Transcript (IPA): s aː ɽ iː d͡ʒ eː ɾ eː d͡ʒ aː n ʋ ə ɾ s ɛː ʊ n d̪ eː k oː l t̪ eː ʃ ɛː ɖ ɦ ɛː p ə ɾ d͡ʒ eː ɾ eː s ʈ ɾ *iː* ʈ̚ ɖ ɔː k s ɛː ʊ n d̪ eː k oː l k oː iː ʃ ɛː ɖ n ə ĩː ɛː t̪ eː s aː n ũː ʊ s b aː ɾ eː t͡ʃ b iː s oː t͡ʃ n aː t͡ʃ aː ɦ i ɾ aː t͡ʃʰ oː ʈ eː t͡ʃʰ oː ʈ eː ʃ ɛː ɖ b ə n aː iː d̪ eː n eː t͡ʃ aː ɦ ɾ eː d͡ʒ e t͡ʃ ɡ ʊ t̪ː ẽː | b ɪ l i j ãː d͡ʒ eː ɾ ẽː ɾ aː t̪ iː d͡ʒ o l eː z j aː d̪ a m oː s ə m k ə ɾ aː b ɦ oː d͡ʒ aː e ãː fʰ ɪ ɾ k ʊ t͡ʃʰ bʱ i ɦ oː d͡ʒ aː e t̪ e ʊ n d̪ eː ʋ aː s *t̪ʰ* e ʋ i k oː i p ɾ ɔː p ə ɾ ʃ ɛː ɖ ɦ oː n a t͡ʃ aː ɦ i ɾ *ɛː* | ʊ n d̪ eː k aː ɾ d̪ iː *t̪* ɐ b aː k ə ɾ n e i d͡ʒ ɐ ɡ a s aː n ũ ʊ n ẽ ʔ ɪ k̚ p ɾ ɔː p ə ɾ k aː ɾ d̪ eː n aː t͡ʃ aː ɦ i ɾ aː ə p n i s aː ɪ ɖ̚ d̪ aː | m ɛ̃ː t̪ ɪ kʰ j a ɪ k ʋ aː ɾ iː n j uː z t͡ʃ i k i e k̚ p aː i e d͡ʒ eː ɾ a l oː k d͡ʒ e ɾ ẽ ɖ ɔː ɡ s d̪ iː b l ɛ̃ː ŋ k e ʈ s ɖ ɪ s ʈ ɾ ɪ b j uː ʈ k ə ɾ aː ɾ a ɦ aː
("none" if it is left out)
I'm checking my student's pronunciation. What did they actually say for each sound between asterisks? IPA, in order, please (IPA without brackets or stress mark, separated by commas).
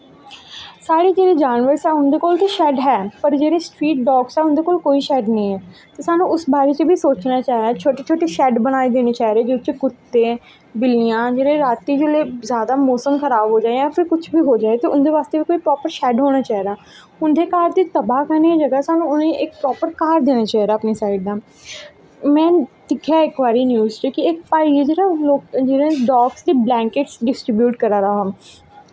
iː, t̪, aː, t̪